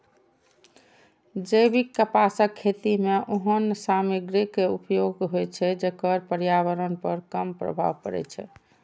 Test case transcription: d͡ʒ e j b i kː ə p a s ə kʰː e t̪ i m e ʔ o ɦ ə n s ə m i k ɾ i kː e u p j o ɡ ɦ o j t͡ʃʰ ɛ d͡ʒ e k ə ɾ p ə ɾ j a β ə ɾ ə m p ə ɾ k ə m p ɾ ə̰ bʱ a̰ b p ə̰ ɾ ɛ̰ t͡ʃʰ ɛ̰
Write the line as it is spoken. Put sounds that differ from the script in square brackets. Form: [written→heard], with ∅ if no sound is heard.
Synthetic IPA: d͡ʒ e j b i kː ə p a s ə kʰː e t̪ i m e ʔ o ɦ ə n s [ə→a] m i [k→ɡ] ɾ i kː e u p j o ɡ ɦ o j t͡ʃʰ ɛ d͡ʒ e k ə ɾ p ə ɾ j a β ə ɾ ə [m→n] p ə ɾ k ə m p ɾ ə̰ bʱ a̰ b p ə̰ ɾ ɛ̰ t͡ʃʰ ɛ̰